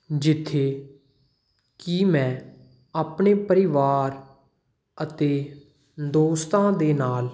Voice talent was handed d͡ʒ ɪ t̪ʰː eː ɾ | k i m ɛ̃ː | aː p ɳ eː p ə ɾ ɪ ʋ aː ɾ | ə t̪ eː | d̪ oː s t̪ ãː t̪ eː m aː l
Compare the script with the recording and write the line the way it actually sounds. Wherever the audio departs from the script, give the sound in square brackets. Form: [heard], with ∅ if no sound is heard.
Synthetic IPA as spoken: d͡ʒ ɪ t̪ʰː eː [∅] | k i m ɛ̃ː | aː p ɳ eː p ə ɾ ɪ ʋ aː ɾ | ə t̪ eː | d̪ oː s t̪ ãː [d̪] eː [n] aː l